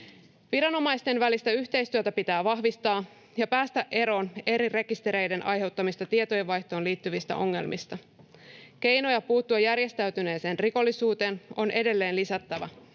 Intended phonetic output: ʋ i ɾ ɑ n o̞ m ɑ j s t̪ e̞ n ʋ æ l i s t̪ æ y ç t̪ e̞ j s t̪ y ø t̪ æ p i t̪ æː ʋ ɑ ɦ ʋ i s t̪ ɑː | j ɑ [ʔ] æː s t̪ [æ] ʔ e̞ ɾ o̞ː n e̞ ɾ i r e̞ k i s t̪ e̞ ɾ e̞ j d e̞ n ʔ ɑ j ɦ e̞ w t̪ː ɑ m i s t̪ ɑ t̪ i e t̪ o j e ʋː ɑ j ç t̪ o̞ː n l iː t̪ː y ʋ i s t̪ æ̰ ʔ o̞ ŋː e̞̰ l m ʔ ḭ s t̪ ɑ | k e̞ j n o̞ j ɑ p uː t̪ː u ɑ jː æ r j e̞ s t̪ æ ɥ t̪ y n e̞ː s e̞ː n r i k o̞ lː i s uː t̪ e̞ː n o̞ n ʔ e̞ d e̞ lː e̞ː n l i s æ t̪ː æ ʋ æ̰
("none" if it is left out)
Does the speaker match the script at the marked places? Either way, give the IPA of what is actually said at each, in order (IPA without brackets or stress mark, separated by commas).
p, æ